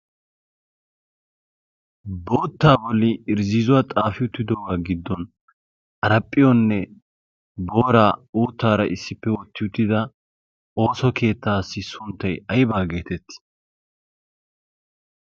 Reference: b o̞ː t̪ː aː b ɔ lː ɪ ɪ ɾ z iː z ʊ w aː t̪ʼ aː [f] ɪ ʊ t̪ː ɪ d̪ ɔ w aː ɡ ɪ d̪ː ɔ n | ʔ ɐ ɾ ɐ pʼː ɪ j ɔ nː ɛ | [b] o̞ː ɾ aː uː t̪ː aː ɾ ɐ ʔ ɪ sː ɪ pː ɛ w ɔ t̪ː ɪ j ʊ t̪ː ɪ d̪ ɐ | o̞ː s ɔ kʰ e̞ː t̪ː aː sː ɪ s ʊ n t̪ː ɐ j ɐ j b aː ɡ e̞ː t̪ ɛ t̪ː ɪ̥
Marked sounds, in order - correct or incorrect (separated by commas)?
correct, correct